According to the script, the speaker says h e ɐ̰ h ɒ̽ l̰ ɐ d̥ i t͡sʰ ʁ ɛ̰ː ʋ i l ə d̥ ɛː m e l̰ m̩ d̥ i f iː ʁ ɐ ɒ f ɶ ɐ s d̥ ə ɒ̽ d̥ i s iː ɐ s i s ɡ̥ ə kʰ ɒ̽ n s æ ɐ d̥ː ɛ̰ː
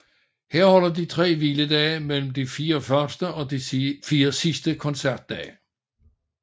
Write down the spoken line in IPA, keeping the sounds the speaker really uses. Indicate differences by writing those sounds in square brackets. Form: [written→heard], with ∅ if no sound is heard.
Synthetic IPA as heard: h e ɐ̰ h ɒ̽ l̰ ɐ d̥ i t͡sʰ ʁ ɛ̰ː ʋ i l ə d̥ ɛː m e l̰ m̩ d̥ i f iː [ʁ→∅] ɐ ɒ f ɶ ɐ s d̥ ə ɒ̽ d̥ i [s→f] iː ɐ s i s [ɡ̥→d̥] ə kʰ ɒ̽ n s æ ɐ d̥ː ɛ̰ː